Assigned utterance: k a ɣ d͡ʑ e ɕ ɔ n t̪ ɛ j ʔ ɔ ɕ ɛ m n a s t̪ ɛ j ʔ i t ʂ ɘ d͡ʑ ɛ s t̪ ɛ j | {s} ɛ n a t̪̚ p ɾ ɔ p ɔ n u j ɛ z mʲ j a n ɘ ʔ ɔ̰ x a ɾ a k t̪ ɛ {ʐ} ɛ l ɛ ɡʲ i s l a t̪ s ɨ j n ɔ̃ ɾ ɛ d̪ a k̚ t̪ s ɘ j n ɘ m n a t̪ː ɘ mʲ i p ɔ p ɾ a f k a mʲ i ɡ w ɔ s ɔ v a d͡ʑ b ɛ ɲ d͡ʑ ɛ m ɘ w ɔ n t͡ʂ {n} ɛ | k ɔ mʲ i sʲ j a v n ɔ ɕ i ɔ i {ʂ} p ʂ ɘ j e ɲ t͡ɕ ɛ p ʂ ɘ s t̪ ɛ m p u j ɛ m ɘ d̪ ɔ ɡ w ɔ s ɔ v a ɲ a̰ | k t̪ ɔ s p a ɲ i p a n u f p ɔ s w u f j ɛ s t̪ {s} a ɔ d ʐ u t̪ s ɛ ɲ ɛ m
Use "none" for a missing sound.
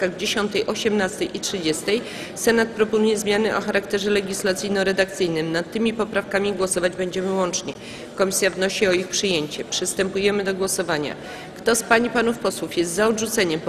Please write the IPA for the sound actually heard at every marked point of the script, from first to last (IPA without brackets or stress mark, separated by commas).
s, ʐ, ɲ, x, z